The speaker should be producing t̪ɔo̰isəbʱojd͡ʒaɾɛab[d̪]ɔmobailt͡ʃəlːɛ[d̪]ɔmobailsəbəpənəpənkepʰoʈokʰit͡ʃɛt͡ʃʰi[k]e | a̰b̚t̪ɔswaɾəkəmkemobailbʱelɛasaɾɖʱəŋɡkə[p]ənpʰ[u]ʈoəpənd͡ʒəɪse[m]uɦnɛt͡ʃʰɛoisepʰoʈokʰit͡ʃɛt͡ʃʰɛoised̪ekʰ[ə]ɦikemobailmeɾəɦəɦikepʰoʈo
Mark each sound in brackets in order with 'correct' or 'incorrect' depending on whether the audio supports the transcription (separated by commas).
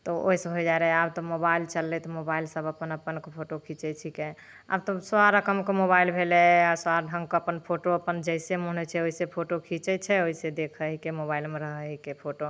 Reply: incorrect, incorrect, correct, correct, incorrect, correct, correct